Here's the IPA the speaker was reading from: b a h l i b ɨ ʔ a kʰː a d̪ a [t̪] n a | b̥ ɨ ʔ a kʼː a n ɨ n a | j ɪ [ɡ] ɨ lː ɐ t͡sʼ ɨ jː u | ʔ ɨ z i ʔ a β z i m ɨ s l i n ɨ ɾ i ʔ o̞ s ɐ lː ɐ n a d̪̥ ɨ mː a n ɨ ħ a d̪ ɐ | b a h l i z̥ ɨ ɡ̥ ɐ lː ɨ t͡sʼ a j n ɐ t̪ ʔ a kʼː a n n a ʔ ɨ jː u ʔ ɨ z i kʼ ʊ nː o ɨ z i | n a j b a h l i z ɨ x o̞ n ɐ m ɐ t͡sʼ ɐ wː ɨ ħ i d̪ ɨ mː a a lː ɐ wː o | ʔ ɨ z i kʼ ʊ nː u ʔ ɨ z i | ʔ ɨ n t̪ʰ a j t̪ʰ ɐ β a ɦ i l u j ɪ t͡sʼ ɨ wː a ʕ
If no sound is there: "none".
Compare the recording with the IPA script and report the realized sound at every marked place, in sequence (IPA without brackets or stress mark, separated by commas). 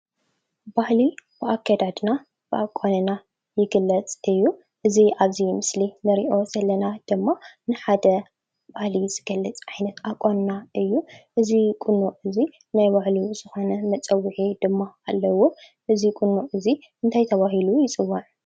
d̪, ɡ